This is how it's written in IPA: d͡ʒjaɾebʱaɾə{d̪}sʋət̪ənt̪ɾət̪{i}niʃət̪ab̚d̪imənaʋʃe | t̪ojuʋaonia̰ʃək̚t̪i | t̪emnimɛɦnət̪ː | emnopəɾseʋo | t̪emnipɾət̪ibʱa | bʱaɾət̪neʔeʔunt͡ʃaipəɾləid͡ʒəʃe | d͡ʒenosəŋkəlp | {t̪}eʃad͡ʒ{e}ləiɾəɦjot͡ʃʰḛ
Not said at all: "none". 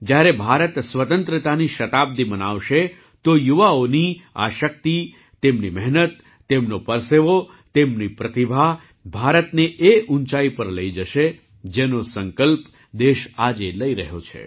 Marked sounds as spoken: t̪, a, d̪, e

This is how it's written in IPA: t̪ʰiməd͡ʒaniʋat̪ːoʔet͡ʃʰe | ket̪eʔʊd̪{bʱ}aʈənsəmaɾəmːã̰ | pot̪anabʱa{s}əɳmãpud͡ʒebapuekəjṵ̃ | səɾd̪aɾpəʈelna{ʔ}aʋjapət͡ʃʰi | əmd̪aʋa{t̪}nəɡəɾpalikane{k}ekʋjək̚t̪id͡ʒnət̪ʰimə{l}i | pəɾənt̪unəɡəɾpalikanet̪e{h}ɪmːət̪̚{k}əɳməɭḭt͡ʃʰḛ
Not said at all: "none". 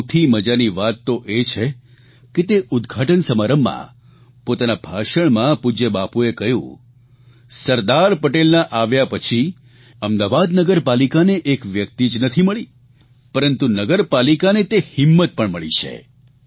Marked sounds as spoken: ɡʱ, ʃ, ʔ, d̪, ʔ, ɭ, h, p

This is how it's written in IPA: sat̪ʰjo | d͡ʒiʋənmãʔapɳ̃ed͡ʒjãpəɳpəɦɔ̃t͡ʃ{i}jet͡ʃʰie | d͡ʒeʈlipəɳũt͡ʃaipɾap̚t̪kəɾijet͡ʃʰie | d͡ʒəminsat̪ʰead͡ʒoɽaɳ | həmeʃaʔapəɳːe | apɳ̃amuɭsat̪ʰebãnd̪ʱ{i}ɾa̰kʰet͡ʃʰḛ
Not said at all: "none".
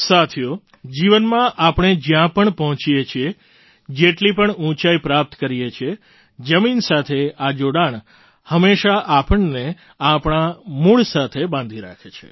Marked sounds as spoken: i, i

